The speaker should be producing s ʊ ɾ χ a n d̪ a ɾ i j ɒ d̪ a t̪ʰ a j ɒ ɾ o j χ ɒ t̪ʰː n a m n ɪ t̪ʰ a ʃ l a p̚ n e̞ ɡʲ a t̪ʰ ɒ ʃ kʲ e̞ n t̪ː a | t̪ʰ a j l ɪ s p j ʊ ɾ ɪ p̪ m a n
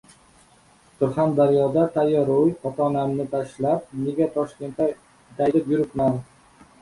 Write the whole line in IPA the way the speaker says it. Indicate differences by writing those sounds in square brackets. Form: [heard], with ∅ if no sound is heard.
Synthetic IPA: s ʊ ɾ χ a n d̪ a ɾ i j ɒ d̪ a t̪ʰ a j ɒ ɾ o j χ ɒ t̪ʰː n a m n ɪ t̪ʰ a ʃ l a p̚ n e̞ ɡʲ a t̪ʰ ɒ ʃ kʲ e̞ n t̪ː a | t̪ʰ a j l ɪ [∅] p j ʊ ɾ ɪ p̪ m a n